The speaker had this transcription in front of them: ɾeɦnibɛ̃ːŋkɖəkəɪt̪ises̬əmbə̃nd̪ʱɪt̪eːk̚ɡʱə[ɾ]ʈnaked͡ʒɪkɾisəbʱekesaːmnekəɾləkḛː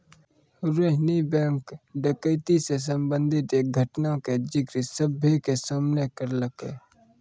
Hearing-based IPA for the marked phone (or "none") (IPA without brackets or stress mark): none